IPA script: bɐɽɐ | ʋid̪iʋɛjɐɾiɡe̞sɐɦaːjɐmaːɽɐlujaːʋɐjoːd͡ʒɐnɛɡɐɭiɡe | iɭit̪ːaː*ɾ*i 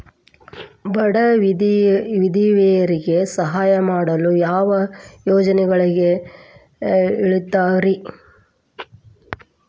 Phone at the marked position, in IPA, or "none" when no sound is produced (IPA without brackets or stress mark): ɾ